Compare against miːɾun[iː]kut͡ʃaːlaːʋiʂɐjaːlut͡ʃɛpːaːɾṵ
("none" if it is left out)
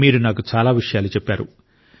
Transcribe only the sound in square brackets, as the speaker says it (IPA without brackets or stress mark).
aː